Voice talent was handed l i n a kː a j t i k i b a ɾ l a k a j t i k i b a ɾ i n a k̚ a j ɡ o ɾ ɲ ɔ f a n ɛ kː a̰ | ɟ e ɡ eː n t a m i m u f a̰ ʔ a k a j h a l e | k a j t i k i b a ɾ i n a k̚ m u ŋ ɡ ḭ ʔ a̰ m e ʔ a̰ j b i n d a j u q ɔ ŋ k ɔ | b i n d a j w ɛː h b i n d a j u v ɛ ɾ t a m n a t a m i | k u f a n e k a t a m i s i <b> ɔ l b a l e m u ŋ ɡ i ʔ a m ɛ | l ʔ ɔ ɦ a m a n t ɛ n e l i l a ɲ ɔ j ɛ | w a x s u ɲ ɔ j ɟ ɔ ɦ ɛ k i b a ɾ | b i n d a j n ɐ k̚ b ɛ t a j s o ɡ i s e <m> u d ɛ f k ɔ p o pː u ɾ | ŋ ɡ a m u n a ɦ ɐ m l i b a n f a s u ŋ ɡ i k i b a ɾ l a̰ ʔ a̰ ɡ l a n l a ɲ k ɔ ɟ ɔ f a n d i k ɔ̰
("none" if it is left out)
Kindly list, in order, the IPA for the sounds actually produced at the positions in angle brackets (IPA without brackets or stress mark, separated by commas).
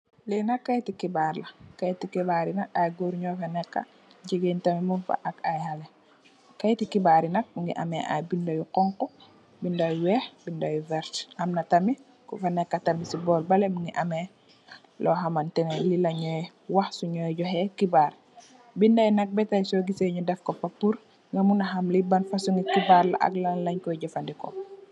b, ɲ